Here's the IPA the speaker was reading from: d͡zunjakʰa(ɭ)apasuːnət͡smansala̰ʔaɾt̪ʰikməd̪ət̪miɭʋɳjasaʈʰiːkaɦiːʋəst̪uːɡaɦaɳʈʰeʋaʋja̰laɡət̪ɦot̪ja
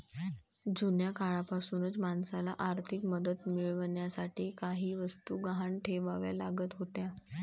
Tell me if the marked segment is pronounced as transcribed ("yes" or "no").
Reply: yes